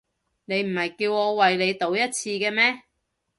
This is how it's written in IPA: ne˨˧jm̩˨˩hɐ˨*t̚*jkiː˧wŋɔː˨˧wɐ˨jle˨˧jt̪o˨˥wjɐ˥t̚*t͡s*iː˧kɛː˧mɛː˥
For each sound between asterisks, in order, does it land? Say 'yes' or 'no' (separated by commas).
no, no